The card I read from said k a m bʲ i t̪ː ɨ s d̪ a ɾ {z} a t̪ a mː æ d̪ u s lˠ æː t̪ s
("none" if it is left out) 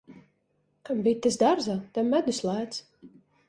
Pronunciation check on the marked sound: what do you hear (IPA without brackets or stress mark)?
z